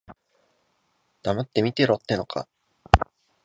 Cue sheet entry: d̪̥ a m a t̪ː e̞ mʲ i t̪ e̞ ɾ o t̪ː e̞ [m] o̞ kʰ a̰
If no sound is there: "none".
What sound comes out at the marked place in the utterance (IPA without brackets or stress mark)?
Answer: n